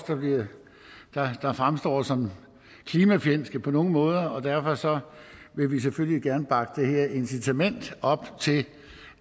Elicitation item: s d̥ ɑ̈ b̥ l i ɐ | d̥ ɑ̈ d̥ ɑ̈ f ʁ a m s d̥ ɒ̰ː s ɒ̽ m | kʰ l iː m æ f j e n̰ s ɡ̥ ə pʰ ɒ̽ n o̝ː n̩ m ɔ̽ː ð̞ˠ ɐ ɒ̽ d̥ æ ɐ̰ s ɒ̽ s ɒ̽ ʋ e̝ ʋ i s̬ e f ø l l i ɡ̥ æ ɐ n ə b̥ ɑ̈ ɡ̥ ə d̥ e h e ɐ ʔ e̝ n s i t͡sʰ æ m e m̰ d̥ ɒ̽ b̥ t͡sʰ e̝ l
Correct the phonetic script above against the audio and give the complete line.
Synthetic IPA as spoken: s d̥ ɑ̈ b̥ l i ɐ | d̥ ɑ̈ d̥ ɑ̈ f ʁ a m s d̥ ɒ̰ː s ɒ̽ m | kʰ l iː m æ f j e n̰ s ɡ̥ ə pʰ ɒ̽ n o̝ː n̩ m ɔ̽ː ð̞ˠ ɐ ɒ̽ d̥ æ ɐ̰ f ɒ̽ s ɒ̽ ʋ e̝ ʋ i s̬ e f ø l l i ɡ̥ æ ɐ n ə b̥ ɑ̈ ɡ̥ ə d̥ e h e ɐ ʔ e̝ n s i t͡sʰ æ m e n̰ d̥ ɒ̽ b̥ t͡sʰ e̝ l